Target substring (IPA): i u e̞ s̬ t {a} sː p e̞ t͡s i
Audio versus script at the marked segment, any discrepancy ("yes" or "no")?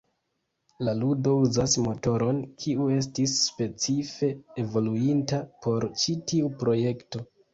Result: yes